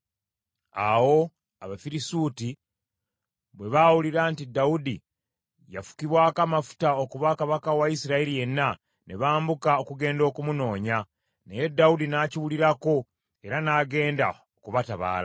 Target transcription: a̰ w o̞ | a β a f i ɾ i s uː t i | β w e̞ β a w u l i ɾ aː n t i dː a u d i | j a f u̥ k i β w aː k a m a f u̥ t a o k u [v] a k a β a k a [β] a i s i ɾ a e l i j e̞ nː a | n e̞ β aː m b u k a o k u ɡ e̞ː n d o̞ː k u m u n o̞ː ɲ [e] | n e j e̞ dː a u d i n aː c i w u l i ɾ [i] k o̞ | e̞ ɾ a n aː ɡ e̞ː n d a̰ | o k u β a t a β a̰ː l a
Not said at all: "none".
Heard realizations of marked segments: β, w, a, a

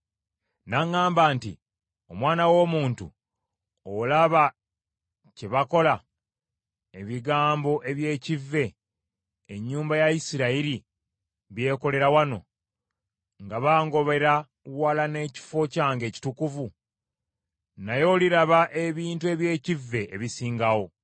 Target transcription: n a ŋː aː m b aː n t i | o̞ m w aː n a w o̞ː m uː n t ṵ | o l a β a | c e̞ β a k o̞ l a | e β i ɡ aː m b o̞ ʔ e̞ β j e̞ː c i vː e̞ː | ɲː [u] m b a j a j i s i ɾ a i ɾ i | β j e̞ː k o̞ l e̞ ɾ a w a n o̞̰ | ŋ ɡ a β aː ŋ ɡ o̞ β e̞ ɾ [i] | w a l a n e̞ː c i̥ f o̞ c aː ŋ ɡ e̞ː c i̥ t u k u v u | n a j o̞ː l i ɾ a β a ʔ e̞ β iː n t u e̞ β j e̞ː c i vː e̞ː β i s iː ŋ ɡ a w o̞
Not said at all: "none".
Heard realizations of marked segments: uː, a

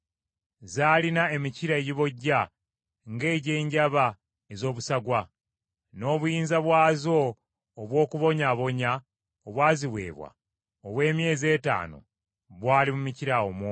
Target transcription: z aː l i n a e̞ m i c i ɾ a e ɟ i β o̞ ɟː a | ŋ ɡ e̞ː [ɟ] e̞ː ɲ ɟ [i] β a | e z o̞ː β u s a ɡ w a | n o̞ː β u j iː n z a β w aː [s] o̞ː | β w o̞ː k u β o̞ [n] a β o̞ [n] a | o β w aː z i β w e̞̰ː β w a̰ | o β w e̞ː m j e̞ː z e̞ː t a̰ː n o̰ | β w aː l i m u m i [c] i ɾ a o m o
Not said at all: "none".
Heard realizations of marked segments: ɟ, a, z, ɲ, ɲ, c

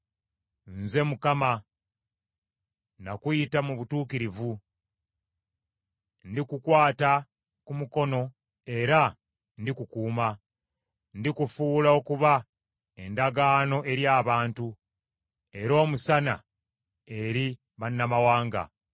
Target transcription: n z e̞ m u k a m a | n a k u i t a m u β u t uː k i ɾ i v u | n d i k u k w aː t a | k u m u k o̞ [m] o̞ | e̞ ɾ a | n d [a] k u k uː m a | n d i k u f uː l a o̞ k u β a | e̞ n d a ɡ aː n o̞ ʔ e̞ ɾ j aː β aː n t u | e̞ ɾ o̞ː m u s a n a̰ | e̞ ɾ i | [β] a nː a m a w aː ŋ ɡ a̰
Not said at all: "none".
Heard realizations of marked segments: n, i, β

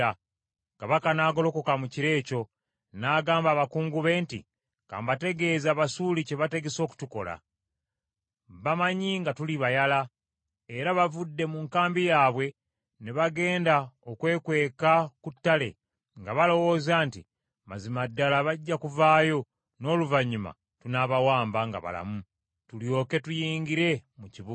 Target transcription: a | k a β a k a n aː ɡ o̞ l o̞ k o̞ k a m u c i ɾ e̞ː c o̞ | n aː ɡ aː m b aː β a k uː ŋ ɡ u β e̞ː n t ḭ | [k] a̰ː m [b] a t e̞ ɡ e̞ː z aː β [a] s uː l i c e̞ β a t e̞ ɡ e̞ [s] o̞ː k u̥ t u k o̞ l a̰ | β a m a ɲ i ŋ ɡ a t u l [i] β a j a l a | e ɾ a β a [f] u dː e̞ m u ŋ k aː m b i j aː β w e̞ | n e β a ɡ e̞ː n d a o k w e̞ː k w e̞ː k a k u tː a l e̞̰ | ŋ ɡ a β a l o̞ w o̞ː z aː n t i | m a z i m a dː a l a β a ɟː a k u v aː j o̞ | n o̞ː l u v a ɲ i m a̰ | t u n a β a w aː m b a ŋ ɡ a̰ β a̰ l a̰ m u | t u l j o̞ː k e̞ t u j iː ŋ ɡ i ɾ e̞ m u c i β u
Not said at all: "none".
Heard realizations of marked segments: k, b, a, s, i, v

